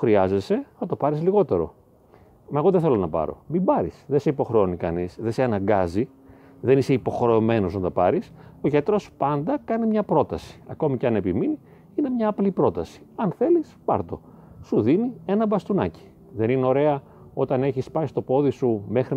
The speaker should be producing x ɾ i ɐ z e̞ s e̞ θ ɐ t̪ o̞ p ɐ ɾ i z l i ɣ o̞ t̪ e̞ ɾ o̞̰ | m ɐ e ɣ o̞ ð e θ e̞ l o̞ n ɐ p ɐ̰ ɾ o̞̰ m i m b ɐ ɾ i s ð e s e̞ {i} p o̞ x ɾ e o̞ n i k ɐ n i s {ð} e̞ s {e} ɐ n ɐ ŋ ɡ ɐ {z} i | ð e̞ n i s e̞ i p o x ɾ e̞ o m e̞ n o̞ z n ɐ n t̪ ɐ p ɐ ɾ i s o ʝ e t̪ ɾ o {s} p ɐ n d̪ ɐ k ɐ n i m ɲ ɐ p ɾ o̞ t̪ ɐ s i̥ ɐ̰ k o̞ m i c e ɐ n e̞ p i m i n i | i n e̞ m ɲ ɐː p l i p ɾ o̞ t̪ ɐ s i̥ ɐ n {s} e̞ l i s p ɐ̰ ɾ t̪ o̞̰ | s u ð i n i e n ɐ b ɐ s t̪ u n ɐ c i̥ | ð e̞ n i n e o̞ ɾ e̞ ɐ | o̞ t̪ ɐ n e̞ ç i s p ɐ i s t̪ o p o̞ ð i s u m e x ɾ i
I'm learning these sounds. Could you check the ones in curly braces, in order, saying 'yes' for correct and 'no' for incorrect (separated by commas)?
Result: yes, yes, yes, yes, yes, no